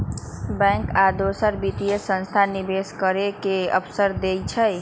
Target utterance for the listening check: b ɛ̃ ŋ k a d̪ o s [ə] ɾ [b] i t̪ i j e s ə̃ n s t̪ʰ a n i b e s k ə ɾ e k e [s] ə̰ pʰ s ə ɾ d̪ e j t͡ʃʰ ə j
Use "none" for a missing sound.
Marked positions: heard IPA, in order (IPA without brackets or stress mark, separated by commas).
ə, b, none